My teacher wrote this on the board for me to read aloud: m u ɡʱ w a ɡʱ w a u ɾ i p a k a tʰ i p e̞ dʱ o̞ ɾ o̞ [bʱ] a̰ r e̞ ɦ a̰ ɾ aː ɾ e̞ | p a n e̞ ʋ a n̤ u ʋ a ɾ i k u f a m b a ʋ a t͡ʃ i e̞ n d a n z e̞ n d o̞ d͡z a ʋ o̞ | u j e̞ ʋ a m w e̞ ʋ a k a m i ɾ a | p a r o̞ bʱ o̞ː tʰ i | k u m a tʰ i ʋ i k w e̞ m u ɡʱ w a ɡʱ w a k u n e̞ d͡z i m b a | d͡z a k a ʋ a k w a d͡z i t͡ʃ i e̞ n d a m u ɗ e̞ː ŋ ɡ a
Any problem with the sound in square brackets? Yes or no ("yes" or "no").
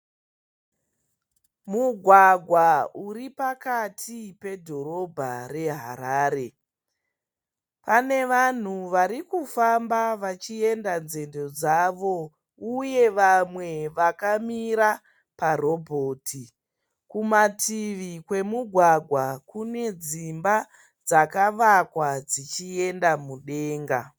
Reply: no